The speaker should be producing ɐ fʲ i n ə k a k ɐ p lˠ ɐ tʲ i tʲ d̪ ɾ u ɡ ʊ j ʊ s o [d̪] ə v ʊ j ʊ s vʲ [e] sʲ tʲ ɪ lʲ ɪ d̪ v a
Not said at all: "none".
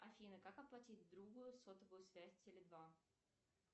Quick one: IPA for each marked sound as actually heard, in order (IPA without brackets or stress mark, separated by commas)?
t̪, æ